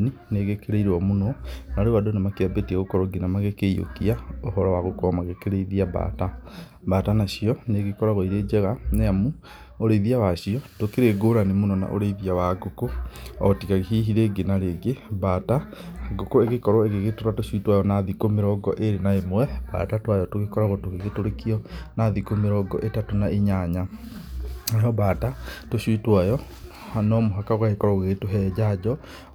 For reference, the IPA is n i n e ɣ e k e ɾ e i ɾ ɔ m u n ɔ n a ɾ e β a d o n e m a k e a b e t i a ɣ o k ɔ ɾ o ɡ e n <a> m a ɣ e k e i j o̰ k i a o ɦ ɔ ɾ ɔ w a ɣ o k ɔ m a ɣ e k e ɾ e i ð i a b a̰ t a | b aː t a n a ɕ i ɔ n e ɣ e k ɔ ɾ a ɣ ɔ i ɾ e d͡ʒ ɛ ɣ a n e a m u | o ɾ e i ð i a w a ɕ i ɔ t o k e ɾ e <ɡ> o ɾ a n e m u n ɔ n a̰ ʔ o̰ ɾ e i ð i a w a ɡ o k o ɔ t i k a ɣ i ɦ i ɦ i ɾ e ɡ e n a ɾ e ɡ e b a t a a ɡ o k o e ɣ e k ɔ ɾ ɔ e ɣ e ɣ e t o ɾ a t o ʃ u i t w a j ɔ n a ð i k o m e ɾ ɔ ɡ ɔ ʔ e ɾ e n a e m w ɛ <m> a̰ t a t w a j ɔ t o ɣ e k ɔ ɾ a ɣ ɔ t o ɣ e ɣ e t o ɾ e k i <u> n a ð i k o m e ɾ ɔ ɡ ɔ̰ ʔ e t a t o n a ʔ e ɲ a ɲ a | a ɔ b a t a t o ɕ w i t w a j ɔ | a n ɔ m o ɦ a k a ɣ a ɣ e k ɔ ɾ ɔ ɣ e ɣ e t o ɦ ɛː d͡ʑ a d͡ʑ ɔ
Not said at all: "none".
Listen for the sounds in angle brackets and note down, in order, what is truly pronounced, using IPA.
a, ɡ, b, ɔ

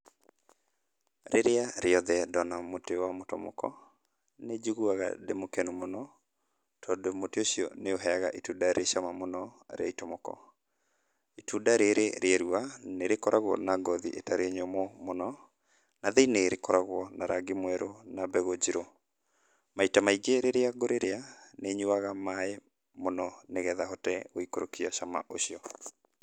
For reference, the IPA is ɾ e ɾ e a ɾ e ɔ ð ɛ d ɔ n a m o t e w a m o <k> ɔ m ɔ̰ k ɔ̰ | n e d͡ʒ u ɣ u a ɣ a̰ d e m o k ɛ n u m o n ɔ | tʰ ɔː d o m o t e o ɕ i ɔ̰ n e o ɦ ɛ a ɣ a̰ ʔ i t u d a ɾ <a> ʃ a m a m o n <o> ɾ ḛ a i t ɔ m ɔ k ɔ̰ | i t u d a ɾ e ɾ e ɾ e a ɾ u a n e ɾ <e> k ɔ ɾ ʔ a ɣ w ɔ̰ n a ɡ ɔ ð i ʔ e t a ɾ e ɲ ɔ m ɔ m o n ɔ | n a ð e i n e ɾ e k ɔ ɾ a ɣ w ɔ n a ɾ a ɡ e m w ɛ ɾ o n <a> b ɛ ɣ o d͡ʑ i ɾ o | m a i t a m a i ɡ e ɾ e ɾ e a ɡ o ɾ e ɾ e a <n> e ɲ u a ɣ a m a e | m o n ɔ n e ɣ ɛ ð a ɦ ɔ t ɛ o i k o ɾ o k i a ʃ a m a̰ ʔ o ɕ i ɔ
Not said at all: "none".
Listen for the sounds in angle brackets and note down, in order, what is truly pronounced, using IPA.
t, e, ɔ, e, a, n

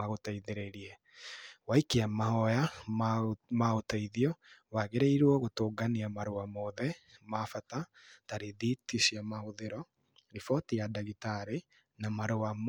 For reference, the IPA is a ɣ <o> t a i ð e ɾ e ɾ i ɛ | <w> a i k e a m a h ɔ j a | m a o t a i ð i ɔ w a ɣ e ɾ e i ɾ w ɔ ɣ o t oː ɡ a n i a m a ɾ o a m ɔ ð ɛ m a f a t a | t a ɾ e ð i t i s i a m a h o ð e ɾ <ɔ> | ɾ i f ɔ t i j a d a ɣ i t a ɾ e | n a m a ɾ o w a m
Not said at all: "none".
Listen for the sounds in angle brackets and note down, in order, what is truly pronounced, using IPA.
o, w, ɔ

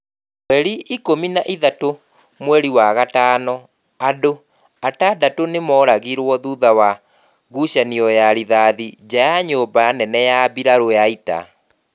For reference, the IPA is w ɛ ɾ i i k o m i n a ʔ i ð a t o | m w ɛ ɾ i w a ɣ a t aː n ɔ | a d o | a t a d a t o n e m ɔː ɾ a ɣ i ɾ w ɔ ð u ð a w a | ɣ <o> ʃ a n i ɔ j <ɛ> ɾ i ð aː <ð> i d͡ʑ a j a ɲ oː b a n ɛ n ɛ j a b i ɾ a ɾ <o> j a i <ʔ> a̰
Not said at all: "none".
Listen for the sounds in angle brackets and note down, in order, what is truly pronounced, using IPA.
u, a, ð, o, t

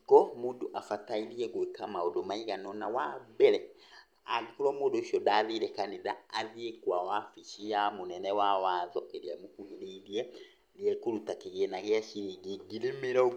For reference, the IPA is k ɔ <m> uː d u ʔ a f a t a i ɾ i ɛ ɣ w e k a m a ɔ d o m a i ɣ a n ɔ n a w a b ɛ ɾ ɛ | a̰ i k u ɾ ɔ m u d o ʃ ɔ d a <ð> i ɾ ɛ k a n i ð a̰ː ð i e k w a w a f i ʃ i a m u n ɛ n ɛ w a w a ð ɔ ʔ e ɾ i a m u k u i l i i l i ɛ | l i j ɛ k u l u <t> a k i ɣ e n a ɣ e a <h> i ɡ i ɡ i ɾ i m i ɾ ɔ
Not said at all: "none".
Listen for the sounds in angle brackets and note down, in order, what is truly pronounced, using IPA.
m, ð, t, ʃ

